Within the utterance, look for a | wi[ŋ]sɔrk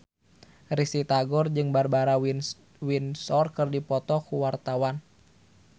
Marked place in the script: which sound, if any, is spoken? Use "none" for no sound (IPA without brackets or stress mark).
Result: n